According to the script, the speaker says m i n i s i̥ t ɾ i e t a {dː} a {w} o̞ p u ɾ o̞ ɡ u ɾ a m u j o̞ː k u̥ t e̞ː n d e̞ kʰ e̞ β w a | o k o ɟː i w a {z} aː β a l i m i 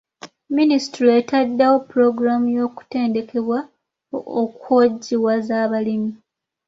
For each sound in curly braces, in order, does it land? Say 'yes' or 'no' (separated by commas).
yes, yes, yes